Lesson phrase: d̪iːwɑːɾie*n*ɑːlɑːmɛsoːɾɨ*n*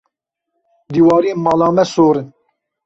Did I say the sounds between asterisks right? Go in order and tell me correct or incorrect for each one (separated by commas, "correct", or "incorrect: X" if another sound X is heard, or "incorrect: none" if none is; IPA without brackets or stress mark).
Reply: incorrect: m, correct